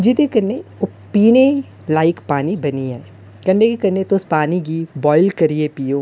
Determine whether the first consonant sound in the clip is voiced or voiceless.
voiced